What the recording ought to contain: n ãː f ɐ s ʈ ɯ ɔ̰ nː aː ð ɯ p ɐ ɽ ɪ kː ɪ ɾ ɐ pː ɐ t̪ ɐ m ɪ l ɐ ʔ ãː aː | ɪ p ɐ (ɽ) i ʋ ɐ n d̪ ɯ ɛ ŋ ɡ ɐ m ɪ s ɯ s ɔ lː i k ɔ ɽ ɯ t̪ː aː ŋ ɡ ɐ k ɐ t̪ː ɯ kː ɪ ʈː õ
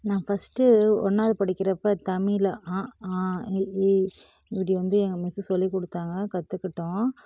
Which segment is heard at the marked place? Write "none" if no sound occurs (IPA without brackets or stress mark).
ɽ